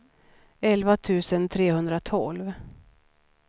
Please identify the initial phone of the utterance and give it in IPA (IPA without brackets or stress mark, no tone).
ɛ